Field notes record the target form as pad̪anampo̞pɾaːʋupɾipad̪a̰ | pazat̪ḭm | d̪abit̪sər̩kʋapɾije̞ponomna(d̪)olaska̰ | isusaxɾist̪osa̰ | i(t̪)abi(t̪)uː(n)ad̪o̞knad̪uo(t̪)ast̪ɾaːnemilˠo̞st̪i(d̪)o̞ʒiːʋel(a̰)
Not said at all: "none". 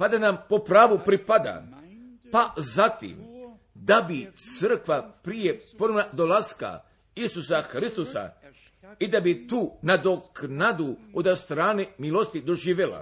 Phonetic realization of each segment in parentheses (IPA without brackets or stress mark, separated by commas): d̪, d̪, t̪, n, d̪, d̪, a̰